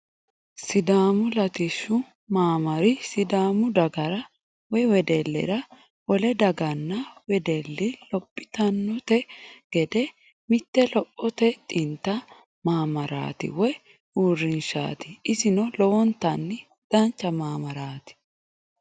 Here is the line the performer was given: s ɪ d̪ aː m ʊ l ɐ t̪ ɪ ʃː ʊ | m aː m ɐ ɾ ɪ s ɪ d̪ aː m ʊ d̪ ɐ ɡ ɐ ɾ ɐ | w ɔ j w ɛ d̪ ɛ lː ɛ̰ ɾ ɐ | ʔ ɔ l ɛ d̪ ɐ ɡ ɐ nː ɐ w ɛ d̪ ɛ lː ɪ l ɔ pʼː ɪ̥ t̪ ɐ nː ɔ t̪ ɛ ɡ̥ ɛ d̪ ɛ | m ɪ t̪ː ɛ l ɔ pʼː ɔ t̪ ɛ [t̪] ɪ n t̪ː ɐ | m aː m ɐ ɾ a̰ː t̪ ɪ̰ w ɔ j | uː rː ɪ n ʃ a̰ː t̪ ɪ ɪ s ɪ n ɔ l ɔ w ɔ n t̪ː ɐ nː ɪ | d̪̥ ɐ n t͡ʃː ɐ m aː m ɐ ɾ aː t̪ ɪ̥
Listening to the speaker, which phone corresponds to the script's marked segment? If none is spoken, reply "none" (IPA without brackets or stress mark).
t̪ʼ